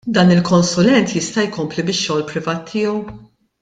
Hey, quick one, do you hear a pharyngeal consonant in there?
no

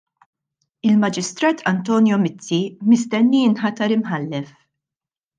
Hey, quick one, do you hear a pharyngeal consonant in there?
yes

